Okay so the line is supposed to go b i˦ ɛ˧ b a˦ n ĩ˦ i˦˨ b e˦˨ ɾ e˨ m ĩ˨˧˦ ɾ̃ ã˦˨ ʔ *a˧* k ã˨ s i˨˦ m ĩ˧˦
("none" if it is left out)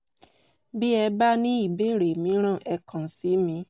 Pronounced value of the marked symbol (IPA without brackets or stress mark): ɛ˧